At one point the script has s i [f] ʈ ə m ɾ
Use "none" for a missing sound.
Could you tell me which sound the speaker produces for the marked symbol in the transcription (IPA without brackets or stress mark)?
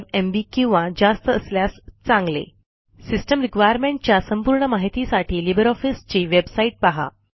s